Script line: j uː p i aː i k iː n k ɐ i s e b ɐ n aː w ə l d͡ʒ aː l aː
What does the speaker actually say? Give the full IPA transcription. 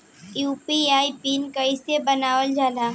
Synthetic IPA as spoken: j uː p i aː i p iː n k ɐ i s e b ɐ n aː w ə l d͡ʒ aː l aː

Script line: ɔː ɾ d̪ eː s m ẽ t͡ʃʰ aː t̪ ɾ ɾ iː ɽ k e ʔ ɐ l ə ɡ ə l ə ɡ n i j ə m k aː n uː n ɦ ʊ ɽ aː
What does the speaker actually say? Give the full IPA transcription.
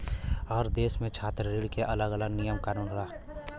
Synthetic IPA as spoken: ɔː ɾ d̪ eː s m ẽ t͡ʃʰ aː t̪ ɾ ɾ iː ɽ k e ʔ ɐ l ə ɡ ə l ə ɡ n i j ə m k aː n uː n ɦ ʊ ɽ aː

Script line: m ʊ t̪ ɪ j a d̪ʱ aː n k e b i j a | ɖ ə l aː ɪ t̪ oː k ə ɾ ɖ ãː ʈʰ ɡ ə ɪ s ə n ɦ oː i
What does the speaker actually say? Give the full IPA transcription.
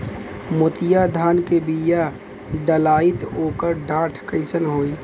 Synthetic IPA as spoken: m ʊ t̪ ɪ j a d̪ʱ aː n k e b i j a | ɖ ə l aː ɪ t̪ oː k ə ɾ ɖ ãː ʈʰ k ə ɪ s ə n ɦ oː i

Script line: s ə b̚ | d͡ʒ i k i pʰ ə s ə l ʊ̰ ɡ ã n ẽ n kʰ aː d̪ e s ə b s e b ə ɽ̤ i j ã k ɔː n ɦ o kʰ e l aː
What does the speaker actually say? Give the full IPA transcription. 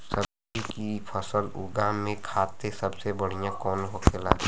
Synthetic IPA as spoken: s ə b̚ | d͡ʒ i k i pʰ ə s ə l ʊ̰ ɡ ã m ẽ kʰ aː t̪ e s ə b s e b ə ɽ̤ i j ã k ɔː n ɦ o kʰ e l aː

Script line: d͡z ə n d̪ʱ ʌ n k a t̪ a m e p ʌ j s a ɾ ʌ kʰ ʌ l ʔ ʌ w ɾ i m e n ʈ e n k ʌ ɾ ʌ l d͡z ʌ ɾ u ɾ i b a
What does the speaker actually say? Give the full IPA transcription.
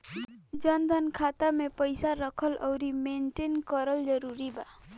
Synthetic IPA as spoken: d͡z ʌ n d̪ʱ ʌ n kʰ a t̪ a m e p ʌ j s a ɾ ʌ kʰ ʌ l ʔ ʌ w ɾ i m e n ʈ e n k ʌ ɾ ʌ l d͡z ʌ ɾ u ɾ i b a

